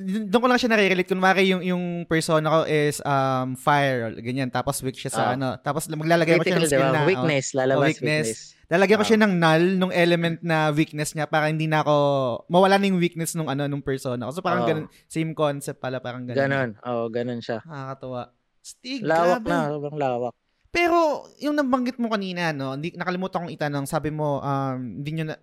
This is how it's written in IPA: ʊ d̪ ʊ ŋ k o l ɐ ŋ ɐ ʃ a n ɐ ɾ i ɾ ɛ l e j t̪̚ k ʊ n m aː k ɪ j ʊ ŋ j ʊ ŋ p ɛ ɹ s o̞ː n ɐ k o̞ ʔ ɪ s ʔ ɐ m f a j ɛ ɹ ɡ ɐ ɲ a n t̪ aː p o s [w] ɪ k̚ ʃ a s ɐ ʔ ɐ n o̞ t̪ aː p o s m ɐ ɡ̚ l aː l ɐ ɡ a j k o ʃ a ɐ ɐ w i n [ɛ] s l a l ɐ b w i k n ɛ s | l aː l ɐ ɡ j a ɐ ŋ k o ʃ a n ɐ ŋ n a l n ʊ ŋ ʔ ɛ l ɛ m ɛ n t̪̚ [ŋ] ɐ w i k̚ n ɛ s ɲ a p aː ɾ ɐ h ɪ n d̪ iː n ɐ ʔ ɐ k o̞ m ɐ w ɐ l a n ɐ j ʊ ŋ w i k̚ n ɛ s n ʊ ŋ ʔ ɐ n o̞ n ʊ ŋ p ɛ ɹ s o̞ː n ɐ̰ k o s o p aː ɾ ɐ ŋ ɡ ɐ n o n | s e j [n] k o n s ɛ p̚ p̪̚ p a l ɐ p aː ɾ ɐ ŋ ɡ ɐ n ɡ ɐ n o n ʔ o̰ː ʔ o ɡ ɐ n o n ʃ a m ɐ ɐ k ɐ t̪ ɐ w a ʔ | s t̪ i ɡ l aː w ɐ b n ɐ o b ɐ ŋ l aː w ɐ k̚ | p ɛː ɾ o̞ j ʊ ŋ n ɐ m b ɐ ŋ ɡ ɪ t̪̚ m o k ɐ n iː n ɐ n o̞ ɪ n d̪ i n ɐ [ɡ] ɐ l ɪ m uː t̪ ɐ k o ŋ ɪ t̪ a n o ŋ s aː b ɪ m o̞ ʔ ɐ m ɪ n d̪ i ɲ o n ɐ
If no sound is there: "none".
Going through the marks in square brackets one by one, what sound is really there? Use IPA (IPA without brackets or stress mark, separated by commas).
w, ɛ, n, m, k